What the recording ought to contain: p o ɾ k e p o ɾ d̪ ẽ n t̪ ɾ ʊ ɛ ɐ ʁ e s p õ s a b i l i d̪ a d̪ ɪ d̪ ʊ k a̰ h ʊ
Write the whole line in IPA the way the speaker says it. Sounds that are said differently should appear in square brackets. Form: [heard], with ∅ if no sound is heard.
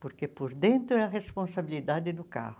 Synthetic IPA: p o ɾ k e p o ɾ d̪ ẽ n t̪ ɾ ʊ ɛ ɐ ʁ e s p õ s a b i l i d̪ a d̪ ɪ d̪ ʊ k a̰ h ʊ

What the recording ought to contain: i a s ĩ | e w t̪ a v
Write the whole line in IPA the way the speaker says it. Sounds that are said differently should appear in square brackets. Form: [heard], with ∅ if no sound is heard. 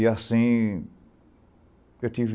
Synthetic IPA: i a s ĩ | e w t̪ [i] v

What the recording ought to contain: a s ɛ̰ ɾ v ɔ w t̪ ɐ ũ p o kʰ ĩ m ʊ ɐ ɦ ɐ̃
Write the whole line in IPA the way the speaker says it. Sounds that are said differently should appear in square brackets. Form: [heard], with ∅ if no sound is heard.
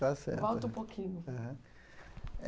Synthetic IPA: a s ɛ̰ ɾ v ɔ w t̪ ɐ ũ p o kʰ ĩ [ɲ] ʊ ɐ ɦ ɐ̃

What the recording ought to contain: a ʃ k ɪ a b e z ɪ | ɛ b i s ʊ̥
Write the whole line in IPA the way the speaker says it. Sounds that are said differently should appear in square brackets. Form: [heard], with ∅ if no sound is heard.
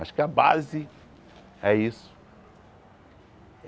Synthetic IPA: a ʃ k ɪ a b [a] z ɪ | ɛ [∅] i s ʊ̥

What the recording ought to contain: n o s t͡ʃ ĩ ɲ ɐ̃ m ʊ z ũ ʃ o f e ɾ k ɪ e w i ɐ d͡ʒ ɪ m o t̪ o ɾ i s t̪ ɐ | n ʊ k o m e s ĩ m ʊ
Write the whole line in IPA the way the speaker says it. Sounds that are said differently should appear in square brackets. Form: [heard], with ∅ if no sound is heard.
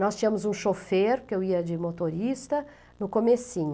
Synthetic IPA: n [ɔ] s t͡ʃ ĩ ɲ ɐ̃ m ʊ z ũ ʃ o f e ɾ k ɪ e w i ɐ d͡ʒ ɪ m o t̪ o ɾ i s t̪ ɐ | n ʊ k o m e s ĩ [ɲ] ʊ

